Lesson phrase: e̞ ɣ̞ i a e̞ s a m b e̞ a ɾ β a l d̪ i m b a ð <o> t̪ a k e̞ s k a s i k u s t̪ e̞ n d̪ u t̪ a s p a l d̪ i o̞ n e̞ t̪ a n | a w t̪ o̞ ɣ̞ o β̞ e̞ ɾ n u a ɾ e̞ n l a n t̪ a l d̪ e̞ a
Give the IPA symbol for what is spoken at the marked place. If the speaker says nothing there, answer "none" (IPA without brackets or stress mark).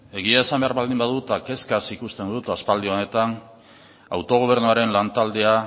u